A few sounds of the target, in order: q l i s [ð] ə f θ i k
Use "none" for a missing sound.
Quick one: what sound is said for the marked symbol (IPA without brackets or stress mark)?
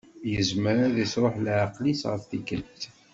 ʁ